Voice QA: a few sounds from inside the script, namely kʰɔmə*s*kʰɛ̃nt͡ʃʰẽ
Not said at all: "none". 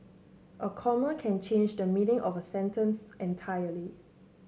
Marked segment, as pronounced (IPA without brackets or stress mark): none